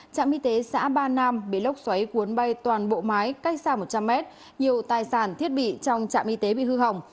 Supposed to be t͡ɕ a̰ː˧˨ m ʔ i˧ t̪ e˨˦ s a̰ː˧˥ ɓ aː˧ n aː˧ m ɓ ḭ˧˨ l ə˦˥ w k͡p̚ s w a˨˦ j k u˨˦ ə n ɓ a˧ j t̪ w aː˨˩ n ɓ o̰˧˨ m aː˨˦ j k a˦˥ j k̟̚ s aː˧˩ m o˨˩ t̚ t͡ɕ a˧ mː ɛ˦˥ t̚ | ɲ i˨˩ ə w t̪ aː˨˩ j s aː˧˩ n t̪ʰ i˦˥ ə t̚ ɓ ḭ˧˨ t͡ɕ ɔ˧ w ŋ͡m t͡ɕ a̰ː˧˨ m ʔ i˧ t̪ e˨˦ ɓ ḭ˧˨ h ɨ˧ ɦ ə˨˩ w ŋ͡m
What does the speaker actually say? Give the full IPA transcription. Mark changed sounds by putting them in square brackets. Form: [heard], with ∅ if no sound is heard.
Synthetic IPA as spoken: t͡ɕ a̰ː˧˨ m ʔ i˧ t̪ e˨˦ s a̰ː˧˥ ɓ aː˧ n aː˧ m ɓ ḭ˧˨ l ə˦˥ w k͡p̚ s w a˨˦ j k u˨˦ ə n ɓ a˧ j t̪ w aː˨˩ n ɓ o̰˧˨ m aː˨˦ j k a˦˥ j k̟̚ s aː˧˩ m o˨˩ t̚ t͡ɕ a˧ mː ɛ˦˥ t̚ | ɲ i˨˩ ə w t̪ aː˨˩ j s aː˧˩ n t̪ʰ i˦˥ ə t̚ ɓ ḭ˧˨ t͡ɕ ɔ˧ w ŋ͡m t͡ɕ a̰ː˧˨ m ʔ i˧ t̪ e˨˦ ɓ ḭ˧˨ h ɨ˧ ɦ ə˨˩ w ŋ͡m